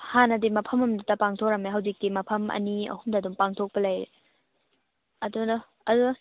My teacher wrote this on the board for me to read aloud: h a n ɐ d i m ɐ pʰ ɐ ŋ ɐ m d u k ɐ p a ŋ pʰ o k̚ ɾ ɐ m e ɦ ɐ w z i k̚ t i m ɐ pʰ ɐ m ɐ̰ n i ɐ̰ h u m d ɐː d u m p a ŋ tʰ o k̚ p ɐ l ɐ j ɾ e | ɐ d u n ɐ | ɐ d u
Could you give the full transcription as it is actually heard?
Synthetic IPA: h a n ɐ d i m ɐ pʰ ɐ m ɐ m d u t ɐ p a ŋ tʰ o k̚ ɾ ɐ m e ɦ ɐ w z i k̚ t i m ɐ pʰ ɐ m ɐ̰ n i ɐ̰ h u m d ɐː d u m p a ŋ tʰ o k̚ p ɐ l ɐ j ɾ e | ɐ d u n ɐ | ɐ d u